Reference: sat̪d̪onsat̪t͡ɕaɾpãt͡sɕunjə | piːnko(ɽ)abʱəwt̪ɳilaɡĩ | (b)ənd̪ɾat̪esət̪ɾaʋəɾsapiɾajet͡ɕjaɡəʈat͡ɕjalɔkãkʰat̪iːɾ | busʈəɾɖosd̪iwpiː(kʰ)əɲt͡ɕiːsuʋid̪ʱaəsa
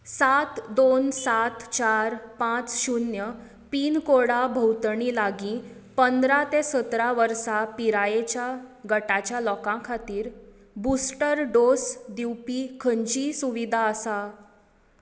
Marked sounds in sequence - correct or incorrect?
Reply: correct, incorrect, correct

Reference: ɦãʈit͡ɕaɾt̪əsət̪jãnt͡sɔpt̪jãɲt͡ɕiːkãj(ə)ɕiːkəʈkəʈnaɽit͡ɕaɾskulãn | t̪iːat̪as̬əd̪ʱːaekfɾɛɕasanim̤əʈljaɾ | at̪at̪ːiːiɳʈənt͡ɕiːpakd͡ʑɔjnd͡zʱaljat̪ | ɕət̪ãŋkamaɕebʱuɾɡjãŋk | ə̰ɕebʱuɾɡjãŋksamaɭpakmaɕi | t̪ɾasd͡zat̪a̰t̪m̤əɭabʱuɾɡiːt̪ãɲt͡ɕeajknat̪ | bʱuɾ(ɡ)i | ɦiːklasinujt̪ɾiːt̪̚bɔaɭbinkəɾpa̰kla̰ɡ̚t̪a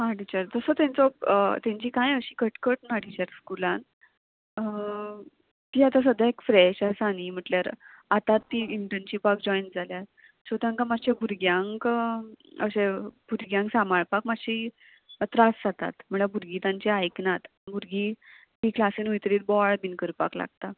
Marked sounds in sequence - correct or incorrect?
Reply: correct, correct

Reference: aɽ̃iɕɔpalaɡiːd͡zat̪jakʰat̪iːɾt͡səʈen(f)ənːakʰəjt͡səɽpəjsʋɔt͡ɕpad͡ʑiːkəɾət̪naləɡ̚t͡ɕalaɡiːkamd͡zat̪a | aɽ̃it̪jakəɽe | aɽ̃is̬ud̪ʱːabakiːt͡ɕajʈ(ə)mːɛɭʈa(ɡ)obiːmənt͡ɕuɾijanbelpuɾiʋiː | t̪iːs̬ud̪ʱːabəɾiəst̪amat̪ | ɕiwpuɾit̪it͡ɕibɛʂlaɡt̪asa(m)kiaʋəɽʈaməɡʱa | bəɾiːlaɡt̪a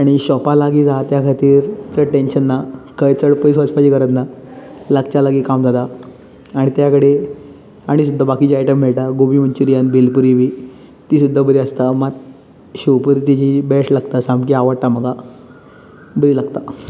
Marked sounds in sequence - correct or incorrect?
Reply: incorrect, correct, correct, correct

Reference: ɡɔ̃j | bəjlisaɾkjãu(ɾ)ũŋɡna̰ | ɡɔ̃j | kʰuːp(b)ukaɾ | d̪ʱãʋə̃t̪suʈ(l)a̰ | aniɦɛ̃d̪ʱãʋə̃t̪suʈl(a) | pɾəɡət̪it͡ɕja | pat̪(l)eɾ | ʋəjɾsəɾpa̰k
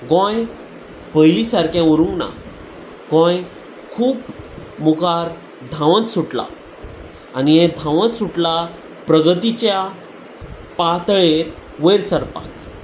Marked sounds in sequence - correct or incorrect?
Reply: correct, incorrect, correct, correct, incorrect

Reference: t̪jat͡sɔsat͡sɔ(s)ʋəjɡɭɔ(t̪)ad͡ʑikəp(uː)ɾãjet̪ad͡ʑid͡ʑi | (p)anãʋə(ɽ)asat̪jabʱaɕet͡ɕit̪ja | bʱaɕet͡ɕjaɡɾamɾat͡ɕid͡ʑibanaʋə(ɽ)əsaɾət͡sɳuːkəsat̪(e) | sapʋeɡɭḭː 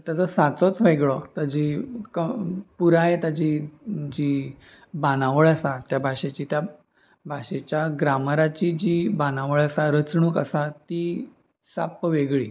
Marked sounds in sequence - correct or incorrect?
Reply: incorrect, correct, incorrect, incorrect, incorrect, incorrect, incorrect

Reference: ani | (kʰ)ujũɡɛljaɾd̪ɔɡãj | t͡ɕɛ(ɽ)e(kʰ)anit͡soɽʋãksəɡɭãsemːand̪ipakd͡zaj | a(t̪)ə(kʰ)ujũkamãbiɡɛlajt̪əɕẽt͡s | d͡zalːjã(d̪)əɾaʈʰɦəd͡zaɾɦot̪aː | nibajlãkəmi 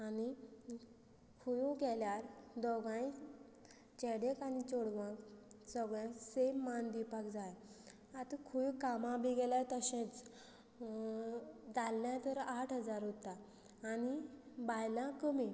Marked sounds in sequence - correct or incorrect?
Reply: correct, correct, incorrect, correct, correct, incorrect

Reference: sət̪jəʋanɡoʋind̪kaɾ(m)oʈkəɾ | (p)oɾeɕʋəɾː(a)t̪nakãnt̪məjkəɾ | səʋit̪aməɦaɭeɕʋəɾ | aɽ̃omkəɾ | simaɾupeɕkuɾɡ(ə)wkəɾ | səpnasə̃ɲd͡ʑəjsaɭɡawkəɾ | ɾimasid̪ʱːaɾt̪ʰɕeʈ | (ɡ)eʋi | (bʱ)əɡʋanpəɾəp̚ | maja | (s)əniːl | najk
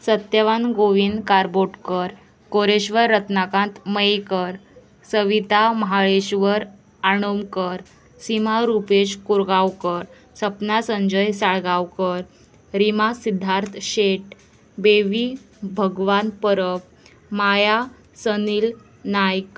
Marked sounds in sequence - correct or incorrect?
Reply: incorrect, incorrect, incorrect, incorrect, incorrect, correct, correct

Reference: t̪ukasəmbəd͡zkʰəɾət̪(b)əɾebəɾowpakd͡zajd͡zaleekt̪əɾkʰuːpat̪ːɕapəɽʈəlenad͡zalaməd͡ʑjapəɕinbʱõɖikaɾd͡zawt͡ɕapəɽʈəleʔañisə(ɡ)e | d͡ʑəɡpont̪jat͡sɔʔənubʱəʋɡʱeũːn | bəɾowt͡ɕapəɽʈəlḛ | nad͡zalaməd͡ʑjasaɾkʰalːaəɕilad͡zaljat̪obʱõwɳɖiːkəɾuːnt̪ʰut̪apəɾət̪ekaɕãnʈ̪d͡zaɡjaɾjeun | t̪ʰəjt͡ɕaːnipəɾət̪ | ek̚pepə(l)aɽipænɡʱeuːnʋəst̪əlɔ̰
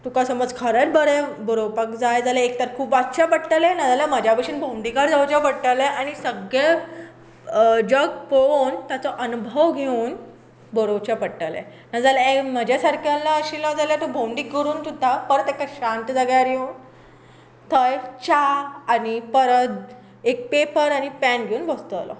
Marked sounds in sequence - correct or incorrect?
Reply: correct, correct, incorrect

